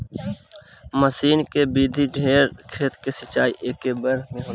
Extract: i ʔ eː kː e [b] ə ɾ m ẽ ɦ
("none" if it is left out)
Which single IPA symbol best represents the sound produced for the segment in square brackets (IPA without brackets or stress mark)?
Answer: b